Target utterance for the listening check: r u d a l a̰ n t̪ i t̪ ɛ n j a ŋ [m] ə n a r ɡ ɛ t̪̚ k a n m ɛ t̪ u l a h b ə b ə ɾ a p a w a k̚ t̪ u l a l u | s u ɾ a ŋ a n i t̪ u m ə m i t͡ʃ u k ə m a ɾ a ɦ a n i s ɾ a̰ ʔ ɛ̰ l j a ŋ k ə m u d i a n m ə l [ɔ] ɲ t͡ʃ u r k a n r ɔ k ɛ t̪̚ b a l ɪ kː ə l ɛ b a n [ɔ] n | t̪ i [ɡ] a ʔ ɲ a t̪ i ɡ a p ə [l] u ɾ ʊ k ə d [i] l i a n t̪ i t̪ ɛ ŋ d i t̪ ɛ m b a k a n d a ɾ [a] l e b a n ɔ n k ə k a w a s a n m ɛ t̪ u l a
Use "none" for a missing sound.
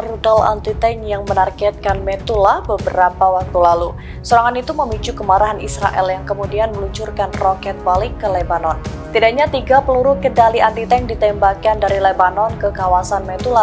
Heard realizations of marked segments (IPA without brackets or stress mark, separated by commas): m, u, ɔ, d, l, a, i